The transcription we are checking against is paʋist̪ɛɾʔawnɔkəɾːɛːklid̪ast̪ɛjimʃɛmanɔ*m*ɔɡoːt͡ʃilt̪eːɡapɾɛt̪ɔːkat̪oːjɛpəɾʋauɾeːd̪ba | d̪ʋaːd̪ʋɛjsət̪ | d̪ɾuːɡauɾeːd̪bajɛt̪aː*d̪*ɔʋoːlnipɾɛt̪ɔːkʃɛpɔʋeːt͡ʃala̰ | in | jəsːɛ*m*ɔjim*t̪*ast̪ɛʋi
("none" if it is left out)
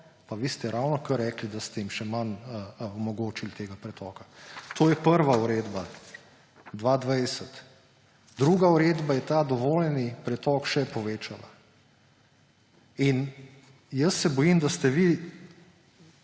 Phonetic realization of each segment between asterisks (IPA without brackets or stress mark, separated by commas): m, d̪, b, d̪